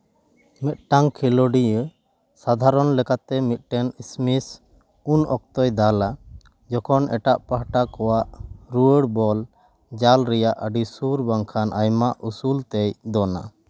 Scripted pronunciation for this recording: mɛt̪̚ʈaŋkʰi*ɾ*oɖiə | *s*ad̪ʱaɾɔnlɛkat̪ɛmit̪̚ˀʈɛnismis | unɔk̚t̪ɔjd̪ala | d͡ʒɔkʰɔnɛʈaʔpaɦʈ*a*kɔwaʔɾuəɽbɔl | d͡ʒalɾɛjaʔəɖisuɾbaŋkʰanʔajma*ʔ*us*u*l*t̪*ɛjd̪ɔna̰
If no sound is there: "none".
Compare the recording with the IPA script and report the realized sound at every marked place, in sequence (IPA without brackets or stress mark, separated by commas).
l, s, a, ʔ, u, t̪